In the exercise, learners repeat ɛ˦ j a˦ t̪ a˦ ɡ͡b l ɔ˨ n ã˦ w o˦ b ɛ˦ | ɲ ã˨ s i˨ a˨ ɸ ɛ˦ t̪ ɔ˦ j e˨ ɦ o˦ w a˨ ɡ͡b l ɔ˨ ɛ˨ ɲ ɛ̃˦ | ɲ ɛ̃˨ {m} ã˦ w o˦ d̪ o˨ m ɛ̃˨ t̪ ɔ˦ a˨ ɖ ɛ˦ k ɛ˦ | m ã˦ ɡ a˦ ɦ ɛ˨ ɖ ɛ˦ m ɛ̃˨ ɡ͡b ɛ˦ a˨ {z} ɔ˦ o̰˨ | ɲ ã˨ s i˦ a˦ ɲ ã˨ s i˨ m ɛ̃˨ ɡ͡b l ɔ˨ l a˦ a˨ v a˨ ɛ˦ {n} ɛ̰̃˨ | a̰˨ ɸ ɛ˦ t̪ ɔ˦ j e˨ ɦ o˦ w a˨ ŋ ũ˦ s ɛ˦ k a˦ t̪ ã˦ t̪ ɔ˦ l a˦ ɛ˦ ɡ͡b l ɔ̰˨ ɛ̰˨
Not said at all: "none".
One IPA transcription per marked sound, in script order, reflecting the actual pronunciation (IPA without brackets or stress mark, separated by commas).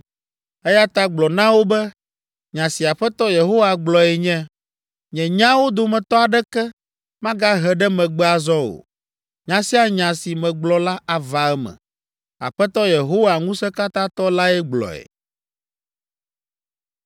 ɲ, z, m